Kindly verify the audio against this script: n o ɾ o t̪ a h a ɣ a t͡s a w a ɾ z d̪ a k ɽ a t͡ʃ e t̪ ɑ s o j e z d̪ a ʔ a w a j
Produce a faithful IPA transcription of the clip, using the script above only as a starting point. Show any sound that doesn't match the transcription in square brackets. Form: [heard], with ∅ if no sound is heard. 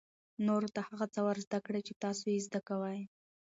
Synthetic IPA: n o ɾ o t̪ a h a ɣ a t͡s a w a ɾ z d̪ a k ɽ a t͡ʃ e t̪ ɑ s o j e z d̪ a [k] a w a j